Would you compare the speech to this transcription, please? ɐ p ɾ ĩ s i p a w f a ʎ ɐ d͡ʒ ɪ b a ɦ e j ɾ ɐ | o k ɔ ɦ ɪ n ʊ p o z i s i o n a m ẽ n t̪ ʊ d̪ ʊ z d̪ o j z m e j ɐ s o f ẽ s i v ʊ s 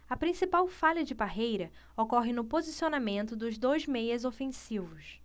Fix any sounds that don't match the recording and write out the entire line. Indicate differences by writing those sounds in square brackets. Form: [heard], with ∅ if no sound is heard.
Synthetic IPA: ɐ p ɾ ĩ s i p a w f a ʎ ɐ d͡ʒ ɪ b a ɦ e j ɾ ɐ | o k ɔ ɦ ɪ n ʊ p o z i s i o n a m ẽ n t̪ ʊ d̪ ʊ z d̪ o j z m e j ɐ [z] o f ẽ s i v ʊ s

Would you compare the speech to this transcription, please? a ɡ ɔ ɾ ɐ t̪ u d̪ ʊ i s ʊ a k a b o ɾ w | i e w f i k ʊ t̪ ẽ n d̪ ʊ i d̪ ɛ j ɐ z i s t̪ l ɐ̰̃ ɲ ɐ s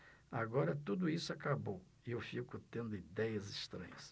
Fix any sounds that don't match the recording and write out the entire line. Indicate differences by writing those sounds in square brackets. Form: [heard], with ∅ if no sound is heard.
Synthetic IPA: a ɡ ɔ ɾ ɐ t̪ u d̪ ʊ i s ʊ a k a b o [∅] w | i e w f i k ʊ t̪ ẽ n d̪ ʊ i d̪ ɛ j ɐ z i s t̪ [ɾ] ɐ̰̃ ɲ ɐ s

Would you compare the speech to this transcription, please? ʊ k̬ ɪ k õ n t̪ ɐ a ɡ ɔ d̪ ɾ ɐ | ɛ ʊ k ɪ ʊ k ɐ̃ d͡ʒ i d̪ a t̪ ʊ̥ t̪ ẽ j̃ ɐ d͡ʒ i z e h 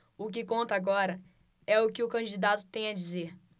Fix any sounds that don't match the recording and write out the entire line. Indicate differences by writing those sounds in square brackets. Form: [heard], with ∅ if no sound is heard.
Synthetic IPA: ʊ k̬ ɪ k õ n t̪ ɐ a ɡ ɔ [∅] ɾ ɐ | ɛ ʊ k ɪ ʊ k ɐ̃ d͡ʒ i d̪ a t̪ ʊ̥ t̪ ẽ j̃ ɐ d͡ʒ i z e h

